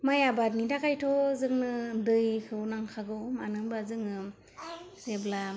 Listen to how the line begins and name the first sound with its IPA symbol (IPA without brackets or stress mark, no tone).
m